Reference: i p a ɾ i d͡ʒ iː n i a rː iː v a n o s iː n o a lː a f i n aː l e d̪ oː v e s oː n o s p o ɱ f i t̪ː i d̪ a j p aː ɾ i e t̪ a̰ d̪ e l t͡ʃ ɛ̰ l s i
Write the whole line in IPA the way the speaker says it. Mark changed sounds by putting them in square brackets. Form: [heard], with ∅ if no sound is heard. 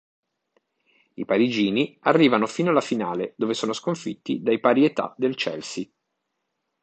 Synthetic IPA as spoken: i p a ɾ i d͡ʒ iː n i a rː iː v a n o [f] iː n o a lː a f i n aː l e d̪ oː v e s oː n o s [k] o ɱ f i t̪ː i d̪ a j p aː ɾ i e t̪ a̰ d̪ e l t͡ʃ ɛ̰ l s i